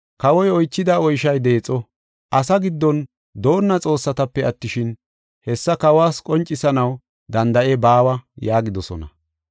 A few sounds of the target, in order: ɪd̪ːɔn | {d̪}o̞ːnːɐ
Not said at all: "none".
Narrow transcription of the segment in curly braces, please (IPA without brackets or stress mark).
d̪